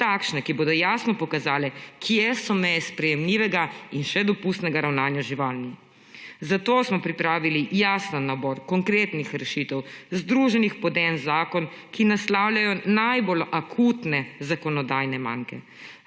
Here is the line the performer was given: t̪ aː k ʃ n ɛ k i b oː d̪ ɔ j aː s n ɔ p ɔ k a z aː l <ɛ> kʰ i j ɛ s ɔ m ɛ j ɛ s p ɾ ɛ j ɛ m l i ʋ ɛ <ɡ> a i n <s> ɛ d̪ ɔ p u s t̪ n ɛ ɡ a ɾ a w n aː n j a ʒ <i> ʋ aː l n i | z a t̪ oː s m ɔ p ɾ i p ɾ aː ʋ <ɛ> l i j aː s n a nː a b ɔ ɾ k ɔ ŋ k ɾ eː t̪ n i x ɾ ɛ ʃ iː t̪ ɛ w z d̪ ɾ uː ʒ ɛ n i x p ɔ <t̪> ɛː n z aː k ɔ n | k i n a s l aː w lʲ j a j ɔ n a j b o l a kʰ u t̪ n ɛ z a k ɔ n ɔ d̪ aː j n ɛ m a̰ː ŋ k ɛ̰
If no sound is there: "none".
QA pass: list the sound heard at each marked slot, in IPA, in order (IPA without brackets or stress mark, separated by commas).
ɛ, ɡ, ʃ, i, i, d̪